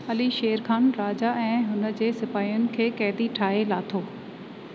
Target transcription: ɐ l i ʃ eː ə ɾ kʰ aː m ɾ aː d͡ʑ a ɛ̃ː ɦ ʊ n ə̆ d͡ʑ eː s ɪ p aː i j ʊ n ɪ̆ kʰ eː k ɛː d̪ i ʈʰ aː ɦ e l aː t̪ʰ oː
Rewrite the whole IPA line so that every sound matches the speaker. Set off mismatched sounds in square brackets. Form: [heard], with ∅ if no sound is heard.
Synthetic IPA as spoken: ɐ l i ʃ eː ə ɾ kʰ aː [n] ɾ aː d͡ʑ a ɛ̃ː ɦ ʊ n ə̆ d͡ʑ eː s ɪ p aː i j ʊ n ɪ̆ kʰ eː k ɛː d̪ i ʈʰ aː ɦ e l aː t̪ʰ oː